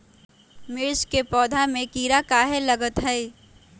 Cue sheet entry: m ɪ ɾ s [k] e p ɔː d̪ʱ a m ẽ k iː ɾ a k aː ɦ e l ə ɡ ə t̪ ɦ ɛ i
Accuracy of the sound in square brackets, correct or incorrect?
correct